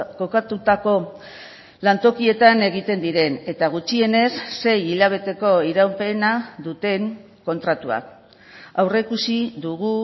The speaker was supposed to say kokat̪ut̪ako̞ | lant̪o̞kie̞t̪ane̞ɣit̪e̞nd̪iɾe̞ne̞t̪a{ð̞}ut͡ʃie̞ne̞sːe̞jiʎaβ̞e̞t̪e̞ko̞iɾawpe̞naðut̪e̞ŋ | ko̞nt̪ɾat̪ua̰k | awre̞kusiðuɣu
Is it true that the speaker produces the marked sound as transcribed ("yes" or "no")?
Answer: no